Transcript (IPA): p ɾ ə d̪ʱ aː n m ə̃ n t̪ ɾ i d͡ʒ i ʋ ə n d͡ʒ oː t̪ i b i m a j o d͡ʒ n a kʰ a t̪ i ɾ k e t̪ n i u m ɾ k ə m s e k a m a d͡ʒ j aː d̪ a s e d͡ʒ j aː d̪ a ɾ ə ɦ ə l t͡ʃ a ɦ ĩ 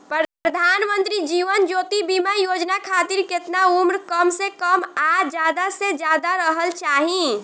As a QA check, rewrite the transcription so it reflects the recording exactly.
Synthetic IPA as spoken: p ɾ ə d̪ʱ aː n m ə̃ n t̪ ɾ i d͡ʒ i ʋ ə n d͡ʒ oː t̪ i b i m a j o d͡ʒ n a kʰ a t̪ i ɾ k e t̪ n a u m ɾ k ə m s e k ə m a d͡ʒ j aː d̪ a s e d͡ʒ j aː d̪ a ɾ ə ɦ ə l t͡ʃ a ɦ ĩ